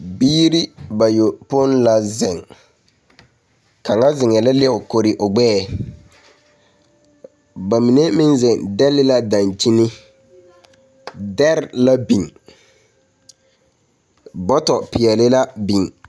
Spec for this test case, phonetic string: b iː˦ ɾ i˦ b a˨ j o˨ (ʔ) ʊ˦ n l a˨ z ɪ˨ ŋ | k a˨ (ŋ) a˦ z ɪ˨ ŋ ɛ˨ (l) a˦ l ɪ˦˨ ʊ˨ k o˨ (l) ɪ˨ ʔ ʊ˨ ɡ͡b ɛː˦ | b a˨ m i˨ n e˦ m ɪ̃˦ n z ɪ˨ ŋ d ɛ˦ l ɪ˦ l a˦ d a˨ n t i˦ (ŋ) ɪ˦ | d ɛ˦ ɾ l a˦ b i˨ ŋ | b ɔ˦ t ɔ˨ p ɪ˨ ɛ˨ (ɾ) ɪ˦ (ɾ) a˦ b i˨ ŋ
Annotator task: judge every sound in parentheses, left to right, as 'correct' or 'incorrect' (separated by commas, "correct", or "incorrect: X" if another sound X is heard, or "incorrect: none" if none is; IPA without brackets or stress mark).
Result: incorrect: p, correct, correct, incorrect: ɾ, incorrect: n, incorrect: l, incorrect: l